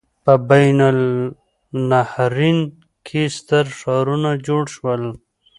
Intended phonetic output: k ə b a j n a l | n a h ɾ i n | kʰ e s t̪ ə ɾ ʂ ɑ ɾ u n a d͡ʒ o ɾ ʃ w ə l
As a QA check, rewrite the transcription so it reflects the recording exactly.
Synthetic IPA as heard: p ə b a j n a l | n a h ɾ i n | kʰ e s t̪ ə ɾ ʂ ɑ ɾ u n a d͡ʒ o ɽ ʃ w ə l